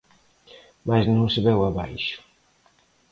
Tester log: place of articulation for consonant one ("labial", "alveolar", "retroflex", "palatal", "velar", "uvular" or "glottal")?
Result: labial